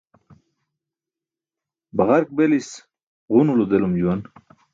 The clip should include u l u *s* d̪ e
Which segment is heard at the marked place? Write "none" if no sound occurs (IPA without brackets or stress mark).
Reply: none